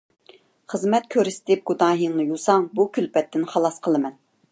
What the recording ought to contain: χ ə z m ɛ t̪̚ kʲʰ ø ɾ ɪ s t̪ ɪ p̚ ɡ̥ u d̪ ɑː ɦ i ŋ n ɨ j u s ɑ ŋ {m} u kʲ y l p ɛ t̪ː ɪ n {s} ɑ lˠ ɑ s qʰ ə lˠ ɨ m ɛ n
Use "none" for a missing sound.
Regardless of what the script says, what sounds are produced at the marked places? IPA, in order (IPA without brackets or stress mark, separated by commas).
b, χ